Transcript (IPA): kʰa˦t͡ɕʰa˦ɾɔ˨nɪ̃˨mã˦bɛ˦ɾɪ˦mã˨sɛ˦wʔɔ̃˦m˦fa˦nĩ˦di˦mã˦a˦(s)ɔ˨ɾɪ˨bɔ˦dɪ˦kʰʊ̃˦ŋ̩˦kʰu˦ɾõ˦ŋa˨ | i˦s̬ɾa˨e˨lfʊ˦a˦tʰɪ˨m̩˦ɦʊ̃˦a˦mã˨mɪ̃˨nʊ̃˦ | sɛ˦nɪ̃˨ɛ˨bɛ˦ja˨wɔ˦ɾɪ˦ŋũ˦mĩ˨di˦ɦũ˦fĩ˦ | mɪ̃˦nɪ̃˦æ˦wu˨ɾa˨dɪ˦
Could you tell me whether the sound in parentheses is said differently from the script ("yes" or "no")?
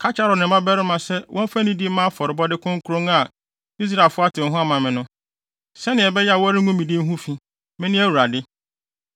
yes